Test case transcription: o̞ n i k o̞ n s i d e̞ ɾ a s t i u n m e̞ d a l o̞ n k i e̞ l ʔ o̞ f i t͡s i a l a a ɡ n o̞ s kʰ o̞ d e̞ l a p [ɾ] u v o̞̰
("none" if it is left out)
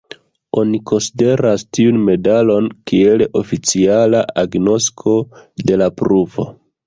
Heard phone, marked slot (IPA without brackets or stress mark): ɾ